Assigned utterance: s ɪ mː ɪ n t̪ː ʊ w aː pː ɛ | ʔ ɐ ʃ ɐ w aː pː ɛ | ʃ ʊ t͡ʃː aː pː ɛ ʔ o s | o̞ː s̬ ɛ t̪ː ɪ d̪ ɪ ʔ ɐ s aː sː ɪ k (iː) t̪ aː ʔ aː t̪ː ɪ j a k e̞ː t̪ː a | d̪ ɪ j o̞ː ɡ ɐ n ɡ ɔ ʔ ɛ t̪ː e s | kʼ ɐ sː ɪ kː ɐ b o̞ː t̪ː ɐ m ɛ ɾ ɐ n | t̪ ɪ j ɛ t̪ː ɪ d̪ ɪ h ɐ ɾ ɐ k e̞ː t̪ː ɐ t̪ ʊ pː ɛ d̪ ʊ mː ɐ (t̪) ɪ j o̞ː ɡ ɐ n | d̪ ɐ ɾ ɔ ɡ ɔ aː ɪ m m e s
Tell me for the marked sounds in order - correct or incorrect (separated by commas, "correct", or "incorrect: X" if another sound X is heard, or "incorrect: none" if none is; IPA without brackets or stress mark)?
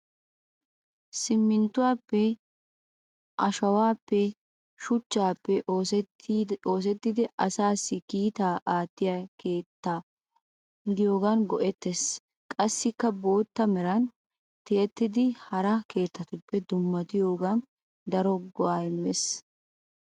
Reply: correct, correct